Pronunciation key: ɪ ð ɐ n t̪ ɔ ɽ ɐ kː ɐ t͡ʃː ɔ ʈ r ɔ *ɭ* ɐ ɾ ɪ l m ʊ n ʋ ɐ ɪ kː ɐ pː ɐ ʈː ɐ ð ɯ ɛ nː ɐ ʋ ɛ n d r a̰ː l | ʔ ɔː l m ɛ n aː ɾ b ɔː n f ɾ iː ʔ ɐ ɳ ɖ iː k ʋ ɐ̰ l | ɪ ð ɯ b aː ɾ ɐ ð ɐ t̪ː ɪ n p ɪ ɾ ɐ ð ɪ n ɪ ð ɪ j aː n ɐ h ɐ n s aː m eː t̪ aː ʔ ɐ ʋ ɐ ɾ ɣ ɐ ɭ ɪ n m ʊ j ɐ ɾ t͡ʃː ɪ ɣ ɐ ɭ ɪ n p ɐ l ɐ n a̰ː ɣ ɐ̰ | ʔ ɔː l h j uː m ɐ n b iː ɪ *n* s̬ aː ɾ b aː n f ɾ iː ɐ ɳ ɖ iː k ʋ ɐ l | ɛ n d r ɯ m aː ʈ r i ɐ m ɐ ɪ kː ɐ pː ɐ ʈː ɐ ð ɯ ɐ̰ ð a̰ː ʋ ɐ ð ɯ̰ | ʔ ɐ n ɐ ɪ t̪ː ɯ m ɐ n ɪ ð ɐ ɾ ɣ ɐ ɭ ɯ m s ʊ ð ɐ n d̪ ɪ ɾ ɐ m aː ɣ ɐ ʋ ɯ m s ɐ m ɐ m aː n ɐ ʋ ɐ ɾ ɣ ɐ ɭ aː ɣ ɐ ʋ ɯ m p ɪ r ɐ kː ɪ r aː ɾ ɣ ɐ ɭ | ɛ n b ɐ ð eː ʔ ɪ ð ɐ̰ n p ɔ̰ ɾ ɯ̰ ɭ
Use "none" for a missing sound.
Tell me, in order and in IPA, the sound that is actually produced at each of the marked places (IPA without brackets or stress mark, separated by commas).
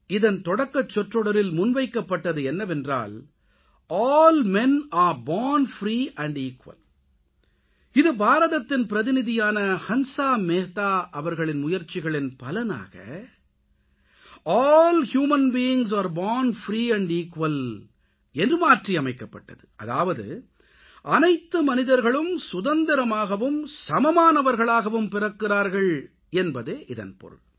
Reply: ɽ, ŋ